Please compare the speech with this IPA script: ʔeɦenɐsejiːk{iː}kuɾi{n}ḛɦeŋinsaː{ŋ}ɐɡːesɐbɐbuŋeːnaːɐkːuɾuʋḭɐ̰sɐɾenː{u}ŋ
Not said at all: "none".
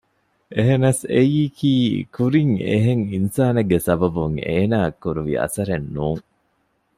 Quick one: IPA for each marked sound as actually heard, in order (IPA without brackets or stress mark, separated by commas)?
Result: iː, ŋ, n, uː